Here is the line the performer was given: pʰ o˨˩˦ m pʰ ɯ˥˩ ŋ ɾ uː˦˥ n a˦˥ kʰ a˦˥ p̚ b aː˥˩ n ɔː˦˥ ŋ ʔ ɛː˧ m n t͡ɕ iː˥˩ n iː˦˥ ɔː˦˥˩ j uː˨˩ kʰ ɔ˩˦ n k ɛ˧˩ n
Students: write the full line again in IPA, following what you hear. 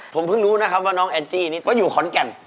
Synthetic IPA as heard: pʰ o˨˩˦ m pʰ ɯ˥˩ ŋ ɾ uː˦˥ n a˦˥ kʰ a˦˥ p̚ w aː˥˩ n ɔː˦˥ ŋ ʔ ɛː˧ n t͡ɕ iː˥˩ n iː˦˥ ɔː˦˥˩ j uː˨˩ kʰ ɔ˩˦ n k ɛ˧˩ n